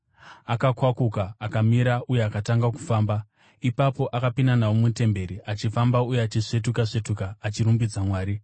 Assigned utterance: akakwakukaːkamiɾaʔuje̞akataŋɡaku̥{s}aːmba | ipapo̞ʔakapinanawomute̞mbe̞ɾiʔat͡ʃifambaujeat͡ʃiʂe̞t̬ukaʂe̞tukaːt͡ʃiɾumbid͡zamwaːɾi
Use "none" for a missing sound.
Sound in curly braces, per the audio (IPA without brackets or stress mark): f